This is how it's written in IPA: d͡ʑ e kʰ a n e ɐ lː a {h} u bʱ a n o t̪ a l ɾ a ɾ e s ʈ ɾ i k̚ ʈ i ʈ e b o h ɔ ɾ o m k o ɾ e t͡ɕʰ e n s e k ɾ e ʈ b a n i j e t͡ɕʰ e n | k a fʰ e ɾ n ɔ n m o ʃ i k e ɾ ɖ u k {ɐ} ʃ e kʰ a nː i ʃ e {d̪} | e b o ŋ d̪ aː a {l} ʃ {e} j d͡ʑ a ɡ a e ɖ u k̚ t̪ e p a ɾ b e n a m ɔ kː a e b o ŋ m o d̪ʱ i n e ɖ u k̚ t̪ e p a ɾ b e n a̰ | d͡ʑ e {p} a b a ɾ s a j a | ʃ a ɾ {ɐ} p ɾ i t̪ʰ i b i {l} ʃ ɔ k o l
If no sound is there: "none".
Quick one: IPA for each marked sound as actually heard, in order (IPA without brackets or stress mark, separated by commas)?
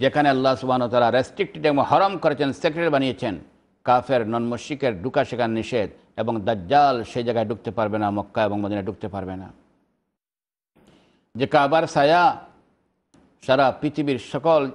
s, a, d̪, l, e, k, a, ɾ